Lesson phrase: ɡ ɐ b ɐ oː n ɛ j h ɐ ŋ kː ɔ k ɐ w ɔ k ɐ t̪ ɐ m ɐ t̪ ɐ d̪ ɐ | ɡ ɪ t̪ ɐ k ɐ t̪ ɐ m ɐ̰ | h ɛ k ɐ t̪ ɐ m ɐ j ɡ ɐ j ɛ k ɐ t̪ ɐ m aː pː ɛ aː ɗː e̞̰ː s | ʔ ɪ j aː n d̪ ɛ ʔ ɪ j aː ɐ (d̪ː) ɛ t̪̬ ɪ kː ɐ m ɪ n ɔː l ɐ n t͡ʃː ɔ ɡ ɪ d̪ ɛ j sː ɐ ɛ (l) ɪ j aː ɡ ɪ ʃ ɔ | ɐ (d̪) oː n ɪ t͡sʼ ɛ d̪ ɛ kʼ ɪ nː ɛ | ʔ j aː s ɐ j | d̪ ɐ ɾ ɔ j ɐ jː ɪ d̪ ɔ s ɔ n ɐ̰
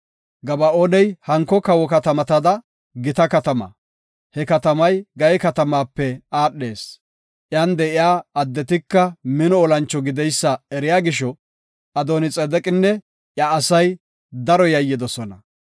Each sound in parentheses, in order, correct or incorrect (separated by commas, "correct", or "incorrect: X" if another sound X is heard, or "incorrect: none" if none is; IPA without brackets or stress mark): correct, incorrect: ɾ, correct